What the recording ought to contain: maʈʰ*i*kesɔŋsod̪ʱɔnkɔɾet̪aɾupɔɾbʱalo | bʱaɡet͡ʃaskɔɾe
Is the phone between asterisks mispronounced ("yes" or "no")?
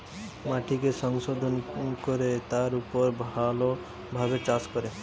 no